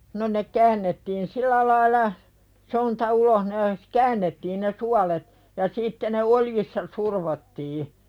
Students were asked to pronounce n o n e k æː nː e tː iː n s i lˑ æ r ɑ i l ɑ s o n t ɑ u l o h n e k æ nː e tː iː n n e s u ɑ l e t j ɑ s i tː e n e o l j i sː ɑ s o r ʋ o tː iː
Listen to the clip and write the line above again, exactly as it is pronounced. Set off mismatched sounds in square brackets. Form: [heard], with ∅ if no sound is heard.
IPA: n o n e k æː nː e tː iː n s i lˑ æ [l] ɑ i l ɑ s o n t ɑ u l o h n e k [æː] nː e tː iː n n e s u ɑ l e t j ɑ s i tː e n e o l j i sː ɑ s [u] r ʋ o tː iː